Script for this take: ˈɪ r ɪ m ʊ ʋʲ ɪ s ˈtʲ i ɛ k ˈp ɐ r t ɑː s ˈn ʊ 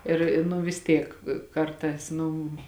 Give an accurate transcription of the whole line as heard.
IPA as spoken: ˈɪ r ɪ n ʊ ʋʲ ɪ s ˈtʲ i ɛ k ˈk ɐ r t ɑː s ˈn ʊ